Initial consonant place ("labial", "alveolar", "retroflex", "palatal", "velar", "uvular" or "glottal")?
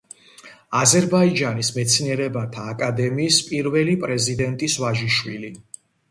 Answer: alveolar